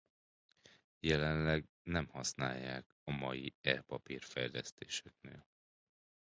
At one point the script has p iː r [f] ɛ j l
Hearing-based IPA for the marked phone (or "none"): f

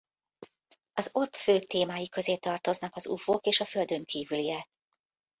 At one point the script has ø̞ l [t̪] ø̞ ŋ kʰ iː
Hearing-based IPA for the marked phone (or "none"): d̪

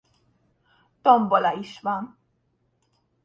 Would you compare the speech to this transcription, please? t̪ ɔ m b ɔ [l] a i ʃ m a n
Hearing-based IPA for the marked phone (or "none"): l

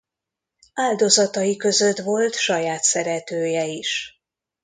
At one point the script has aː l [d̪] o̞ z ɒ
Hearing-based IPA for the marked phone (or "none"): d̪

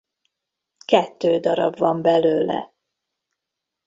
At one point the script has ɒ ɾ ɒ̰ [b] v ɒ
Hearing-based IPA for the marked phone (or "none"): b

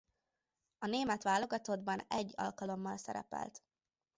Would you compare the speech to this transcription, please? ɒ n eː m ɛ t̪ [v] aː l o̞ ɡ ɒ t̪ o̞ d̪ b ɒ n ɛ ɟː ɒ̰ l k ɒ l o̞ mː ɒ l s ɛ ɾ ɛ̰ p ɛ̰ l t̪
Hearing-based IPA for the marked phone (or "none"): ʋ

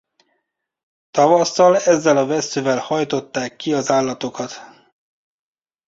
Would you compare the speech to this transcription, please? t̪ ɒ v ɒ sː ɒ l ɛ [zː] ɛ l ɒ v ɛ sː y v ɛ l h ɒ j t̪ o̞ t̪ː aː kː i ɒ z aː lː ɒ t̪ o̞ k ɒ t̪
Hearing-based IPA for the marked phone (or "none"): zː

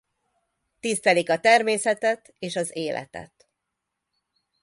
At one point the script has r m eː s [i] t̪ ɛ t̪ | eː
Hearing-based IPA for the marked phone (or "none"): ɛ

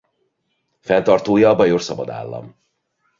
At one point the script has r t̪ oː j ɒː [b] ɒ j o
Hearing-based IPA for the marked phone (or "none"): b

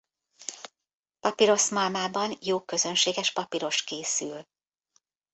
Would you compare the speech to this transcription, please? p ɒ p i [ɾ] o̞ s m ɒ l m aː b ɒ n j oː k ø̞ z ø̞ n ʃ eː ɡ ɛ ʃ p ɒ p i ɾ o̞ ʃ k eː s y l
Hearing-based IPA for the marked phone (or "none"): ɾ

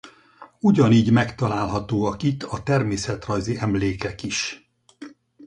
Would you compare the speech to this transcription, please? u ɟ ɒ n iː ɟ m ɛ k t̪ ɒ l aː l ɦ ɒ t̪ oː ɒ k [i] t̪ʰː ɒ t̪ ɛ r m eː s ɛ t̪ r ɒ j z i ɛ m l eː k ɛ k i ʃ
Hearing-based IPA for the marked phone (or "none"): i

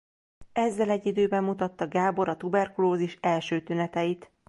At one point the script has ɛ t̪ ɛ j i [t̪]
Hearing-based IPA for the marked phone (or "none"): t̪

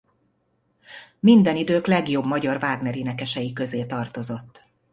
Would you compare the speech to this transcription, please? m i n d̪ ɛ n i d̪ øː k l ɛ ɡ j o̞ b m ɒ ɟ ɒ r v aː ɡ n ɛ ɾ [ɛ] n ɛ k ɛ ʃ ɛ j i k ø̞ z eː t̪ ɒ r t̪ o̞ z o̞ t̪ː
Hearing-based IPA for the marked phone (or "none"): i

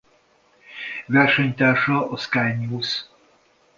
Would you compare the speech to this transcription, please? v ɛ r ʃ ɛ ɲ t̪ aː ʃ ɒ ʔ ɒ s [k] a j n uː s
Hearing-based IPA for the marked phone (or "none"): k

